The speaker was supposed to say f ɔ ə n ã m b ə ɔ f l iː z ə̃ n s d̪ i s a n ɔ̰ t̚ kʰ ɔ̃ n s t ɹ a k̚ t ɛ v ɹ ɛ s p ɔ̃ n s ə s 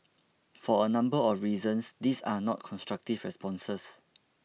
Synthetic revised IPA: f ɔ ə n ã m b ə ɔ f ɹ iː z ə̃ n s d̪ i s a n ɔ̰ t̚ kʰ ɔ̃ n s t ɹ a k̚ t i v ɹ ɛ s p ɔ̃ n s ə s

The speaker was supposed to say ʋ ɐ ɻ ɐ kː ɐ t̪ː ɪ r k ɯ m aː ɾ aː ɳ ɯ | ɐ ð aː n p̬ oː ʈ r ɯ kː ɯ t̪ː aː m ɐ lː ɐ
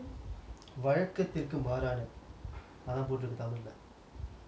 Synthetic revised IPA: ʋ ɐ ɻ ɐ kː ɐ t̪ː ɪ r k ɯ m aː ɾ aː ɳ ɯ | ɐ ð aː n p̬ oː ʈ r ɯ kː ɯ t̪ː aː m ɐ lː ɐ

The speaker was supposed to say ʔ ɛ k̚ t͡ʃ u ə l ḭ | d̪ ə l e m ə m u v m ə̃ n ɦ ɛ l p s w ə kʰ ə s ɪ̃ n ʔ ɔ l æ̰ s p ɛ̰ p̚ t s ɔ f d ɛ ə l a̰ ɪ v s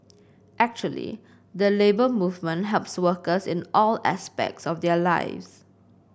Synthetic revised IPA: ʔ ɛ k̚ t͡ʃ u ə l ḭ | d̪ ə l e b ə m u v m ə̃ n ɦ ɛ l p s w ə k ə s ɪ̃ n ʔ ɔ l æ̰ s p ɛ̰ k̚ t s ɔ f d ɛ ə l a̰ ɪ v s

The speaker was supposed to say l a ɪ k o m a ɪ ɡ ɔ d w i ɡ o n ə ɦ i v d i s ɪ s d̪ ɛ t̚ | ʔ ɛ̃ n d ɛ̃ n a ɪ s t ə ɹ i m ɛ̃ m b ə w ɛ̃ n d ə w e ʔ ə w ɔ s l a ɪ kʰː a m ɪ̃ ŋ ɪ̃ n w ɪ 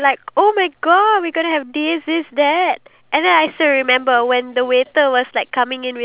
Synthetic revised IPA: l a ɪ k o m a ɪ ɡ ɔ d w i ɡ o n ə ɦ ɛ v d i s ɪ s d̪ ɛ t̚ | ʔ ɛ̃ n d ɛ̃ n a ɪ s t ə ɹ i m ɛ̃ m b ə w ɛ̃ n d ə w e t ə w ɔ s l a ɪ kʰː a m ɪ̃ ŋ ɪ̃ n w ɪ

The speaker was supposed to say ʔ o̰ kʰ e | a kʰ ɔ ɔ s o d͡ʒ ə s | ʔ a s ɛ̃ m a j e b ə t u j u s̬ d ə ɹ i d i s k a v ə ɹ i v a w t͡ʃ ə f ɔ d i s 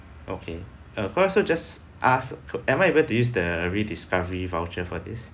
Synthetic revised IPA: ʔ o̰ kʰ e | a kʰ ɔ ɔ s o d͡ʒ a s | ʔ a s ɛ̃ m a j e b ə t u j u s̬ d ə ɹ i d i s k a v ə ɹ i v a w t͡ʃ ə f ɔ d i s

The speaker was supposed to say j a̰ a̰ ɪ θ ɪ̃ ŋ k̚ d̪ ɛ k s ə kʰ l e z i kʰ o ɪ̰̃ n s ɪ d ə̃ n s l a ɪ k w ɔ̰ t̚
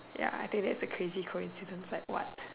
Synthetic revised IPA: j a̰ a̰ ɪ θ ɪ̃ ŋ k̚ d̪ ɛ t s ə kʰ ɹ e z i kʰ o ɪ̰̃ n s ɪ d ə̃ n s l a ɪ k w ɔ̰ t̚

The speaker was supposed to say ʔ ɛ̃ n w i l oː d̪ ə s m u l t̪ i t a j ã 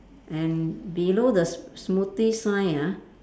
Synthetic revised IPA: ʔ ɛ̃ n b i l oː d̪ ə s m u t̪ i s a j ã

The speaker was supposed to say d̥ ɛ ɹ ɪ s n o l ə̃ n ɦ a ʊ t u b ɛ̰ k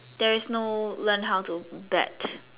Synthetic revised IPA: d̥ ɛ ɹ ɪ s n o l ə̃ n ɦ a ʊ t u b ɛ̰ t

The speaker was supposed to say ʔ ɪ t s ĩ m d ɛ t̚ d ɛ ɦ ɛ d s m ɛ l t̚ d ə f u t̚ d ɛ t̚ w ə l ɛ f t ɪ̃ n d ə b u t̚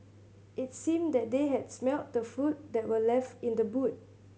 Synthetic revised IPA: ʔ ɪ t s ĩ m d ɛ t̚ d e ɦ ɛ d s m ɛ l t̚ d ə f u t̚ d ɛ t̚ w ə l ɛ f t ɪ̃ n d ə b u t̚

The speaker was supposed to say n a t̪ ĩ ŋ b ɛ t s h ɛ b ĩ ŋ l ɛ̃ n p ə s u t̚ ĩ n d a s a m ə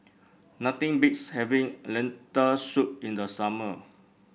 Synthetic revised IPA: n a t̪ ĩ ŋ b i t s h ɛ v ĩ ŋ l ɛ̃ n t ə s u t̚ ĩ n d ə s a m ə

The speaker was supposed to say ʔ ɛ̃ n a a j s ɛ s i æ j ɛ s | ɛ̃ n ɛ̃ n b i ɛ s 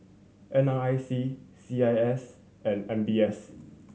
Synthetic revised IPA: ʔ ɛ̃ n a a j s i s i a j ɛ s | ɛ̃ n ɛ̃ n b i ɛ s

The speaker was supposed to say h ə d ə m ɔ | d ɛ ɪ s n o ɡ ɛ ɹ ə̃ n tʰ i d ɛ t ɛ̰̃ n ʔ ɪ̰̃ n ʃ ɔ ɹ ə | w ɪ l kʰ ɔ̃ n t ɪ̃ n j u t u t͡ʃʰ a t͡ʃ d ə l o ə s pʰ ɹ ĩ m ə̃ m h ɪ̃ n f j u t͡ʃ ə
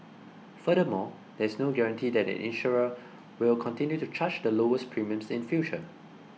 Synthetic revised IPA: f ə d ə m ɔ | d ɛ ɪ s n o ɡ ɛ ɹ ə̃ n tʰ i d ɛ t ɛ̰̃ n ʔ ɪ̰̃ n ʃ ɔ ɹ ə | w ɪ l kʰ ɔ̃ n t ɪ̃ n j u t u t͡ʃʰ a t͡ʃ d ə l o ə s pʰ ɹ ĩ m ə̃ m s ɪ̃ n f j u t͡ʃ ə

